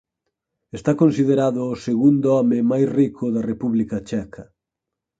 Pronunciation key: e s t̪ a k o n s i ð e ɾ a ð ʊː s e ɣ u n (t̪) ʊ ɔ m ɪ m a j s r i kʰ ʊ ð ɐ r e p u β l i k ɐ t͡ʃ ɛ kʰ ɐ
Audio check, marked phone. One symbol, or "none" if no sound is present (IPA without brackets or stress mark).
d̪